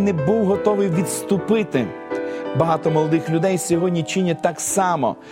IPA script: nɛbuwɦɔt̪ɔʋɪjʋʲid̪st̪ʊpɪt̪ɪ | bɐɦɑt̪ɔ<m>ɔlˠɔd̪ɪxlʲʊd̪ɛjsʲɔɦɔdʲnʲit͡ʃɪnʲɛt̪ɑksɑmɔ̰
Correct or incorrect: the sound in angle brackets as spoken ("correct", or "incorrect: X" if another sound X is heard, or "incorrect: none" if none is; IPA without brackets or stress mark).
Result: correct